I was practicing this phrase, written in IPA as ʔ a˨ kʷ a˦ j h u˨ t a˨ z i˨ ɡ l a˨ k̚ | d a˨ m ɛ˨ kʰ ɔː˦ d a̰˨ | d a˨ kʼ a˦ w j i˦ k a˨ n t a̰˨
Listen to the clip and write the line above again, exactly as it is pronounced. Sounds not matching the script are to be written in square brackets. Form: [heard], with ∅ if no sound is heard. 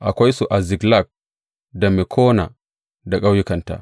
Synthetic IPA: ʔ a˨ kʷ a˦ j [s] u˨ [ʔ] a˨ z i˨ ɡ l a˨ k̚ | d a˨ m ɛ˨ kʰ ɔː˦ [n] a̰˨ | d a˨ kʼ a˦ w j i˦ k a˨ n t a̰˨